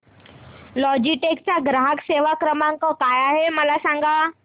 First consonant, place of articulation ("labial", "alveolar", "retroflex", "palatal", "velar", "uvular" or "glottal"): alveolar